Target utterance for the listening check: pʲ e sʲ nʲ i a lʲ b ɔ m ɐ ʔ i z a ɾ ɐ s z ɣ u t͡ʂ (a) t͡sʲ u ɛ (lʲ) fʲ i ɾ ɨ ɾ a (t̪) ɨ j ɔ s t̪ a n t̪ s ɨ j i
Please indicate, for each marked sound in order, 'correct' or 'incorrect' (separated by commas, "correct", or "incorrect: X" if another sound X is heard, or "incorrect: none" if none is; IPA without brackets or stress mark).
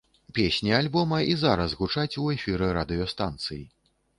correct, incorrect: none, incorrect: d̪